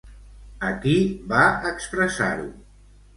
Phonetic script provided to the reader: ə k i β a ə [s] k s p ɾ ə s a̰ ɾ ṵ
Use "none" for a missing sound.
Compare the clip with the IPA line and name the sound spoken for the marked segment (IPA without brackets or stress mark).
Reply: none